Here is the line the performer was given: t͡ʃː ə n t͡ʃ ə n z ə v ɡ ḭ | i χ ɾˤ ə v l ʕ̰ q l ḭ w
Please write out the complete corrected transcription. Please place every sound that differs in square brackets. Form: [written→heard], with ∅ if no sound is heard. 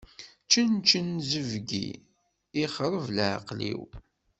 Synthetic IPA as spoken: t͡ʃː ə n t͡ʃ ə n z ə v ɡ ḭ | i χ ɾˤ ə v l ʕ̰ q l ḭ w